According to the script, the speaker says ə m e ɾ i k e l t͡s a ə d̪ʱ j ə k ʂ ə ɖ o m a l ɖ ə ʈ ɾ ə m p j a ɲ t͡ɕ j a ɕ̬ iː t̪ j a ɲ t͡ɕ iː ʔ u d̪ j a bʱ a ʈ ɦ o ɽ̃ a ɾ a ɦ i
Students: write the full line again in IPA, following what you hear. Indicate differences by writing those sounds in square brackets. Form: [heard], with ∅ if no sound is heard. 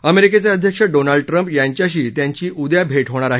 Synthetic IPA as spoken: ə m e ɾ i k e [∅] t͡s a ə d̪ʱ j ə k ʂ ə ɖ o [n] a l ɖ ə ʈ ɾ ə m p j a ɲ t͡ɕ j a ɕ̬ iː t̪ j a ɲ t͡ɕ iː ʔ u d̪ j a bʱ [e] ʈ ɦ o ɽ̃ a ɾ a ɦ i